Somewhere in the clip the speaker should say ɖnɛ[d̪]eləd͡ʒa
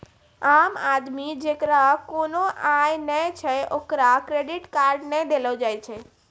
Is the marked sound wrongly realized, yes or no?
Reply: no